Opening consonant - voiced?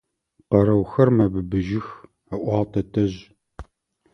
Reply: no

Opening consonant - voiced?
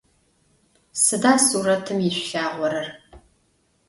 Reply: no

